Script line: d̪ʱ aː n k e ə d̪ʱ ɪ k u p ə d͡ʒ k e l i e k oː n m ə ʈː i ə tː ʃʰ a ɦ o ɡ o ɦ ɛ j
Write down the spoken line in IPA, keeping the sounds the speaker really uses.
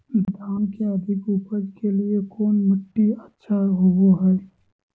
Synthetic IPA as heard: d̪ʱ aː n k e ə d̪ʱ ɪ k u p ə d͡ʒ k e l i e k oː n m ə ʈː i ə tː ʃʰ a ɦ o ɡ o ɦ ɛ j